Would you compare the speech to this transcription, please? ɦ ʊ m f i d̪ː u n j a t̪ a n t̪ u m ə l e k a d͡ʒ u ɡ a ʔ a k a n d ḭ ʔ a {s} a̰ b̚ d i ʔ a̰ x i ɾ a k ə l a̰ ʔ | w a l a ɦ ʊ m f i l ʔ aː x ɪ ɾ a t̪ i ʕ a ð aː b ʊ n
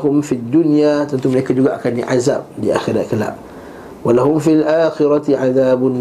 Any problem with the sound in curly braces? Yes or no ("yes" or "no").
yes